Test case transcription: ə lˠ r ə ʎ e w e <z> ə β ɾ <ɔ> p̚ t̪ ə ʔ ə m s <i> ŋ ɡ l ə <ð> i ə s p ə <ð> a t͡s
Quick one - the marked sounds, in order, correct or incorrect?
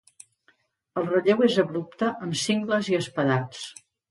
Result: correct, incorrect, correct, incorrect, correct

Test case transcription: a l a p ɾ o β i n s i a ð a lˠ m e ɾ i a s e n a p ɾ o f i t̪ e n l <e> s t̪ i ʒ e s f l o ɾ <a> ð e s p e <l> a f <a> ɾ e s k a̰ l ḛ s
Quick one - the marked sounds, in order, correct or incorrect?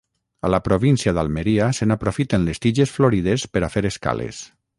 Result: correct, incorrect, incorrect, incorrect

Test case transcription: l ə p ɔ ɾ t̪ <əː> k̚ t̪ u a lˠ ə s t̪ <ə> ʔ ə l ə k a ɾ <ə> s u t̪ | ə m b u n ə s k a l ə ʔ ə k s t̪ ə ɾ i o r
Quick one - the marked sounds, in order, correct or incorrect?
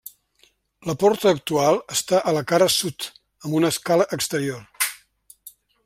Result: correct, incorrect, correct

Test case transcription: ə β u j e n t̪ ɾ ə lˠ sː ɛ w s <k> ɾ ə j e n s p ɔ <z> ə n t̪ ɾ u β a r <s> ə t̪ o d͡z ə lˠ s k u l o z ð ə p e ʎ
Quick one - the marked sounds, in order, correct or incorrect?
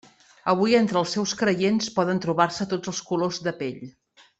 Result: correct, incorrect, correct

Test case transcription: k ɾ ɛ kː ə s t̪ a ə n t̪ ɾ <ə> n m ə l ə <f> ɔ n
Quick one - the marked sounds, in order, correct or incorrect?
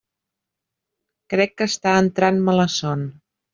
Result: incorrect, incorrect

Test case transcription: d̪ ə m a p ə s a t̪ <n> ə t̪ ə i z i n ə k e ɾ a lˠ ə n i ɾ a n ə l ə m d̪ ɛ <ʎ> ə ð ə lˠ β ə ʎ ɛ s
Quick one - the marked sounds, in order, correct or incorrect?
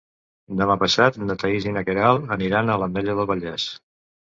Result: correct, correct

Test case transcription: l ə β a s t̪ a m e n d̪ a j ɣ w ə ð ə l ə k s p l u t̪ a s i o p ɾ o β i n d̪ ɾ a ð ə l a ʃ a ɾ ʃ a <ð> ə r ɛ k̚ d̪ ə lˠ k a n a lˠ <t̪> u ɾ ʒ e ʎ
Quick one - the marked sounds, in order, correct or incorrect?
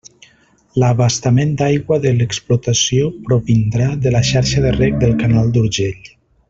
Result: correct, incorrect

